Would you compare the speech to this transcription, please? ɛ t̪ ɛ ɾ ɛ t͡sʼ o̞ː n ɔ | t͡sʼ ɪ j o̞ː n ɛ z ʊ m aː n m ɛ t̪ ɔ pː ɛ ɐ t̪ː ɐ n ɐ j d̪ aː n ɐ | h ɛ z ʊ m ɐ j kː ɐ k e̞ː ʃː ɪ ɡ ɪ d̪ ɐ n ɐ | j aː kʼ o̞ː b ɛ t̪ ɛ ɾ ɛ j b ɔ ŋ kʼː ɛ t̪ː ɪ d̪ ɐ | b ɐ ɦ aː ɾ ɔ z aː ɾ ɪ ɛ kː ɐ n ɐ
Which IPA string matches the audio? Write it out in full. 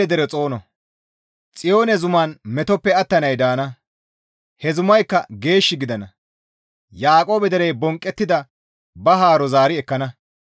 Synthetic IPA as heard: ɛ d̪ ɛ ɾ ɛ t͡sʼ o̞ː n ɔ | t͡sʼ ɪ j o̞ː n ɛ z ʊ m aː n m ɛ t̪ ɔ pː ɛ ɐ t̪ː ɐ n ɐ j d̪ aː n ɐ | h ɛ z ʊ m ɐ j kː ɐ ɡ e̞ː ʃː ɪ ɡ ɪ d̪ ɐ n ɐ | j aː kʼ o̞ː b ɛ d̪ ɛ ɾ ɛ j b ɔ ŋ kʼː ɛ t̪ː ɪ d̪ ɐ | b ɐ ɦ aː ɾ ɔ z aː ɾ ɪ ɛ kː ɐ n ɐ